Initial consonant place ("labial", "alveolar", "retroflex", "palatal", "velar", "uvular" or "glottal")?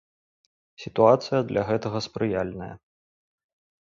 alveolar